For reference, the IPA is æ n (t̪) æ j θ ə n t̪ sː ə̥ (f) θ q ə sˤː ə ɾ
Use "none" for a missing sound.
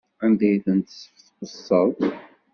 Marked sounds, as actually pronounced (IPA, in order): d̪, f

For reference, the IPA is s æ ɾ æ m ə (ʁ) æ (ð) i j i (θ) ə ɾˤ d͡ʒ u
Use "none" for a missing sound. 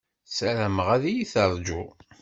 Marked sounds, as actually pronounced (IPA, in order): ʁ, ð, θ

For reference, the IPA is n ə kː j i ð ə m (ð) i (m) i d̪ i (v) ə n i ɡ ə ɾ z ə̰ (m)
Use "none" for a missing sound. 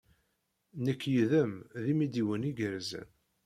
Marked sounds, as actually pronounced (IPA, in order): ð, m, w, n

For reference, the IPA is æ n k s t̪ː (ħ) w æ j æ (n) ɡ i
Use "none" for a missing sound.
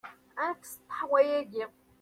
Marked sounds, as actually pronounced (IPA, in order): ħ, none

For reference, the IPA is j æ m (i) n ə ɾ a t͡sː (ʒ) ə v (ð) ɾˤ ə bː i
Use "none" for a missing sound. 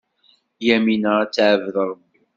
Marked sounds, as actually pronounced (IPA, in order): i, ʕ, ð

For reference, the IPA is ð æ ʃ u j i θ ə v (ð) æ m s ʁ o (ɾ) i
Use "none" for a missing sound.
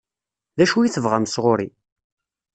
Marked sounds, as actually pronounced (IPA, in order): ʁ, ɾ

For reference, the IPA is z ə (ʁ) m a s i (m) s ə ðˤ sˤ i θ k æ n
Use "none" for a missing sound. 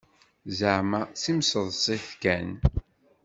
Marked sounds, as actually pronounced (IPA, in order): ʕ, m

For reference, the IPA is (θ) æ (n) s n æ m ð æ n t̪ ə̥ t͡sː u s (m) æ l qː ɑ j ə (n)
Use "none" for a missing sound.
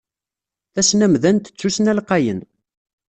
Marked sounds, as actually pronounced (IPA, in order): θ, none, n, n

